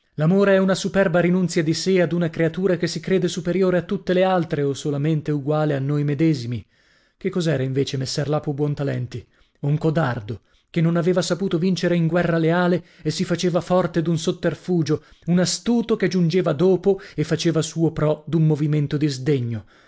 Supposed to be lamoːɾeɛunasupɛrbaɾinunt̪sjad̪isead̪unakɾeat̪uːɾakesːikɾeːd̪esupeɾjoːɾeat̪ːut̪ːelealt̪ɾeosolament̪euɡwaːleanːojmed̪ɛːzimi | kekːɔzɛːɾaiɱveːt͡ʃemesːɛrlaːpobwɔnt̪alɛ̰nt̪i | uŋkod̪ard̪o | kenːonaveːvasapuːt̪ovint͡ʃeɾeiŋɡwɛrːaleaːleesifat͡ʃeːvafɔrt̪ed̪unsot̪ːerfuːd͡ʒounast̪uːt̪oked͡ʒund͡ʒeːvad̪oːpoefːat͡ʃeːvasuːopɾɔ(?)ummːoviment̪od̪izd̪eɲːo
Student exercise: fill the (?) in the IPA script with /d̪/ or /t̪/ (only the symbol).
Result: d̪